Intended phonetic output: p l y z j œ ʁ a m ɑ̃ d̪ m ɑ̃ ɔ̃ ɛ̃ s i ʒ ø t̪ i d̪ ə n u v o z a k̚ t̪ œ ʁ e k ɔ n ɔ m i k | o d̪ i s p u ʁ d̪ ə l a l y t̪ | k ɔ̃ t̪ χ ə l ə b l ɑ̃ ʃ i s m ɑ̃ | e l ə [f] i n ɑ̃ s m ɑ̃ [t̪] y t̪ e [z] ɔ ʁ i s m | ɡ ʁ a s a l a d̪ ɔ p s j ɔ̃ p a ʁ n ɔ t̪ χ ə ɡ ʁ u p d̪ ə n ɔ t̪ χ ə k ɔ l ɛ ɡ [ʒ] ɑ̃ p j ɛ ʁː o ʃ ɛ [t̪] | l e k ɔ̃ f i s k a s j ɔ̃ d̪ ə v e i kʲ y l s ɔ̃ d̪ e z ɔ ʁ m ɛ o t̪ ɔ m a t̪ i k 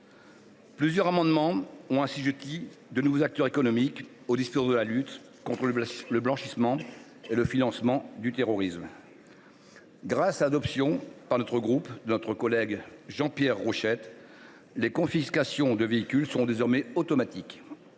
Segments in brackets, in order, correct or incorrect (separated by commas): correct, incorrect, incorrect, correct, correct